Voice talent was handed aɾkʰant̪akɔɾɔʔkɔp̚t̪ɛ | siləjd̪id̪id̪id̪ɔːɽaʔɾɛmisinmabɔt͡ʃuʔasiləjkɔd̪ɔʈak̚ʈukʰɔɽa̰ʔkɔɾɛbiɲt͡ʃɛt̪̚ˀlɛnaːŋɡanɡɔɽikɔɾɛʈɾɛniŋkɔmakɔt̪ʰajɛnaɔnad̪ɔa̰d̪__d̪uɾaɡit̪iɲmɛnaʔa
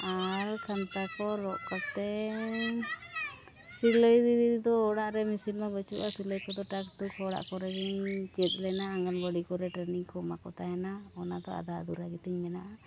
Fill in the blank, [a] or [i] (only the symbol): a